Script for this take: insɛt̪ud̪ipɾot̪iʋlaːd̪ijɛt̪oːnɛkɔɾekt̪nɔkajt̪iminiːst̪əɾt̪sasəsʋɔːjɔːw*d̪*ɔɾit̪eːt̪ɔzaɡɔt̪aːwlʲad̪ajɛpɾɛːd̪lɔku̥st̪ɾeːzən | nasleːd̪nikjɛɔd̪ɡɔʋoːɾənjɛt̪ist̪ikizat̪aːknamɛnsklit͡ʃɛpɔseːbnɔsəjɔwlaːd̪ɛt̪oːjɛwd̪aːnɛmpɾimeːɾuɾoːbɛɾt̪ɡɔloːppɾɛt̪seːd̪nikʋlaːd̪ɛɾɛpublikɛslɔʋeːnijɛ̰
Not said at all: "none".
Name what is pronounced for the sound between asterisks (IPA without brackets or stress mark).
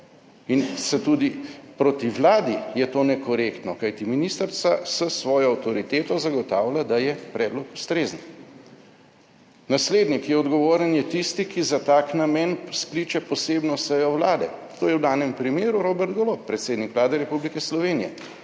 t̪